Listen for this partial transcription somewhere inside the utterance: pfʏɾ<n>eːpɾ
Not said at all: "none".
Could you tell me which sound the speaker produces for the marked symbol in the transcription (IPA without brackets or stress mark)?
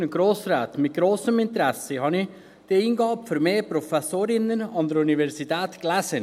m